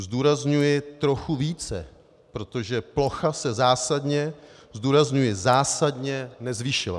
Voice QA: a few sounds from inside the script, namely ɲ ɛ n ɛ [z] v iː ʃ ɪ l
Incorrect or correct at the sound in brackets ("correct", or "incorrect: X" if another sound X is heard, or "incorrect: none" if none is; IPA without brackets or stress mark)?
correct